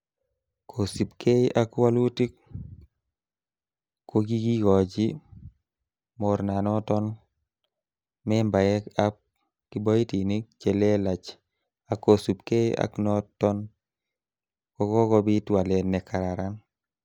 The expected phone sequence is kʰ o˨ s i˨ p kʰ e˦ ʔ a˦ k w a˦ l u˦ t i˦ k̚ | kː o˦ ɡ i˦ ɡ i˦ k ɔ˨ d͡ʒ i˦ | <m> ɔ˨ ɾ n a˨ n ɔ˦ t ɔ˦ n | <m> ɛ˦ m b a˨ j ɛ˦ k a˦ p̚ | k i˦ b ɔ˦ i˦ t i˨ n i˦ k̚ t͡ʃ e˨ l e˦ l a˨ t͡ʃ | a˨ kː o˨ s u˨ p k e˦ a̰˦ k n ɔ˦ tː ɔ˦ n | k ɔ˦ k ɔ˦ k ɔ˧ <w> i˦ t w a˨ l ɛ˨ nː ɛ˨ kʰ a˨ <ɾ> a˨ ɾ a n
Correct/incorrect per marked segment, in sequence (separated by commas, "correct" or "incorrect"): correct, correct, incorrect, correct